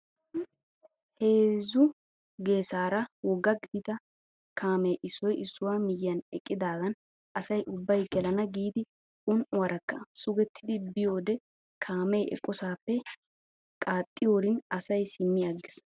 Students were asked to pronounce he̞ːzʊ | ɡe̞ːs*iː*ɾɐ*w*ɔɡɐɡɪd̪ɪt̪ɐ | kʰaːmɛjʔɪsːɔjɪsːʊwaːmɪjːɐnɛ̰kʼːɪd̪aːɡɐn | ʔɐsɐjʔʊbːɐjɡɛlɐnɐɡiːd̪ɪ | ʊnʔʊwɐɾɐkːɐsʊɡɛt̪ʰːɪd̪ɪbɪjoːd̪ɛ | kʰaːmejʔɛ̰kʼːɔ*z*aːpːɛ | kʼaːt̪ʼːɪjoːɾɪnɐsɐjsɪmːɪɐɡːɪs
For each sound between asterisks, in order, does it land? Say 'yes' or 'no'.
no, yes, no

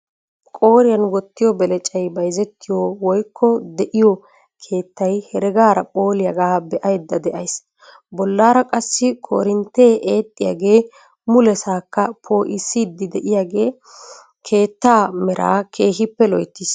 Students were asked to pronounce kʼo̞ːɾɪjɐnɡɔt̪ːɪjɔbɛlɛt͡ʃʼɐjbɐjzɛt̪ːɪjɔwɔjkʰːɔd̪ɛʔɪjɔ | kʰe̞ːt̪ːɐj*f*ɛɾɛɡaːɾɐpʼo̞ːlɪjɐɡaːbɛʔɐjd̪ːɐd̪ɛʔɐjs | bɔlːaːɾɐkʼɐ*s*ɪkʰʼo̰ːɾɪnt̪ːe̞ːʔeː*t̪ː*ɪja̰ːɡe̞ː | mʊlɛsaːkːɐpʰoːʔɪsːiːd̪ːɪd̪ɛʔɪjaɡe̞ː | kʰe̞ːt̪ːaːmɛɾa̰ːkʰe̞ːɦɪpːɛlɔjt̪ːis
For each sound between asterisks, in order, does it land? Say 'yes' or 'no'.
no, no, no

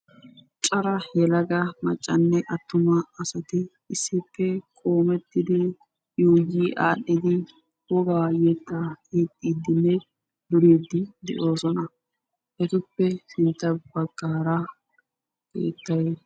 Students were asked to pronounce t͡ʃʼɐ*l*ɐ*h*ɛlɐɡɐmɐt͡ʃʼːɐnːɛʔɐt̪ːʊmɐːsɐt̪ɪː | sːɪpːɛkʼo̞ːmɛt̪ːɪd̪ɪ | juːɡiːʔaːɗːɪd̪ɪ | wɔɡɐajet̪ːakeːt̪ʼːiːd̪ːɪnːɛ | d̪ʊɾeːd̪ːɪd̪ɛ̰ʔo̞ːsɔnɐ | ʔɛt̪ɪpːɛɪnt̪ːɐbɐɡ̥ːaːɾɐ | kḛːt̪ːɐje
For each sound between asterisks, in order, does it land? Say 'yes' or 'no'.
no, yes

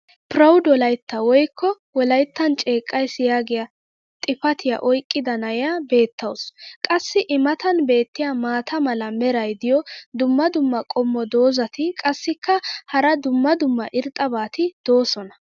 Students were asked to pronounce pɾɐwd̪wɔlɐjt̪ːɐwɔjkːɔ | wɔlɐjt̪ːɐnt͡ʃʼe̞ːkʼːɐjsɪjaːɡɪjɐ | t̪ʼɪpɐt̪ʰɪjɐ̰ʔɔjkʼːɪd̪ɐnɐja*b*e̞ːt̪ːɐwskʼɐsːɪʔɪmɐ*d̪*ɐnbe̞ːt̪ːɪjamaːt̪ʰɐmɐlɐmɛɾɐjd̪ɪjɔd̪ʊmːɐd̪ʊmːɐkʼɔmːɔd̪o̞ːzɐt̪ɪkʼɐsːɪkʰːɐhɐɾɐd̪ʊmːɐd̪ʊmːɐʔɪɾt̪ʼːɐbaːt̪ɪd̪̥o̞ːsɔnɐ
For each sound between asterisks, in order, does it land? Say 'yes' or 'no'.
yes, no

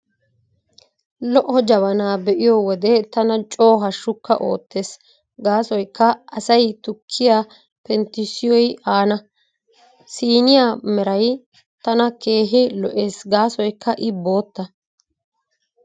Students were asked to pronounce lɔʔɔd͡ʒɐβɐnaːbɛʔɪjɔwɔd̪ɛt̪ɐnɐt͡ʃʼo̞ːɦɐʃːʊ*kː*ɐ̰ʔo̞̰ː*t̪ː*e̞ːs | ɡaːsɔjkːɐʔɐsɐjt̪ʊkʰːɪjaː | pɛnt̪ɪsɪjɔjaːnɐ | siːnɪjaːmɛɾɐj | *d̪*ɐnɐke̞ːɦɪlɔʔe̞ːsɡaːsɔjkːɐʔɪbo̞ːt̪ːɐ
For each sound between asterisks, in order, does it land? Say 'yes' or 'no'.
yes, yes, no

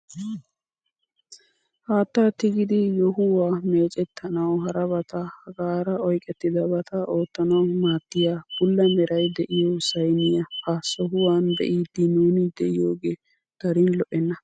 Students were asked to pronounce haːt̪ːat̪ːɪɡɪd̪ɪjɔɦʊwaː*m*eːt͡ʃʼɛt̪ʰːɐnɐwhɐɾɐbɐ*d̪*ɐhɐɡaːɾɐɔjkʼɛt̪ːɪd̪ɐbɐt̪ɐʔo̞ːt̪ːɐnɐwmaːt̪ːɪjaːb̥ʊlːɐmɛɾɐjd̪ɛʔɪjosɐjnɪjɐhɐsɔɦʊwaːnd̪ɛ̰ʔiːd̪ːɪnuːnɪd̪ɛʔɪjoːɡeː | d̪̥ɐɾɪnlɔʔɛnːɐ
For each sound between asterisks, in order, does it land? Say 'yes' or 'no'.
yes, no

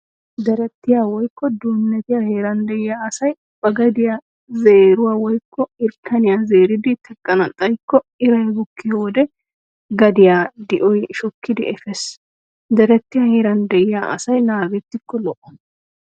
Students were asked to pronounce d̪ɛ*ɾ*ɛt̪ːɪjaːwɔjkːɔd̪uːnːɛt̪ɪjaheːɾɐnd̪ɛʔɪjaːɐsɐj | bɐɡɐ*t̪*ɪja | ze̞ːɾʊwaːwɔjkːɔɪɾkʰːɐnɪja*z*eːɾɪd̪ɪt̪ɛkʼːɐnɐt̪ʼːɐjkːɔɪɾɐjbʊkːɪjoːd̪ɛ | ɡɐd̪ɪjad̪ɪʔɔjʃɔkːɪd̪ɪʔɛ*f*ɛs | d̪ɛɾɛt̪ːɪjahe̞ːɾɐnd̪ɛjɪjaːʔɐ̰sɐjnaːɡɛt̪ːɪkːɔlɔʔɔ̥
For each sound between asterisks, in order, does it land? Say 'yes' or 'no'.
yes, no, yes, yes

